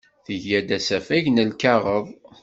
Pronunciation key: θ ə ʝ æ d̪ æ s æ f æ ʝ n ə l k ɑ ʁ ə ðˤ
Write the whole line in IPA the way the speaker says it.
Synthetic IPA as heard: θ ə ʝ æ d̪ æ s æ f æ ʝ n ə l k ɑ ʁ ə ðˤ